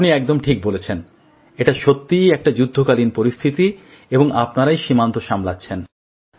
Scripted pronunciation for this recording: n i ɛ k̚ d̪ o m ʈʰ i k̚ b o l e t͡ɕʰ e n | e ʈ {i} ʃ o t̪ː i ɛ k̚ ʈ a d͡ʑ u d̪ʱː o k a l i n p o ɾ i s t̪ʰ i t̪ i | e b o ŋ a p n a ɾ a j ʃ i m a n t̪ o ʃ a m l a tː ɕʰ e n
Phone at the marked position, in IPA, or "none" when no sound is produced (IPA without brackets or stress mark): a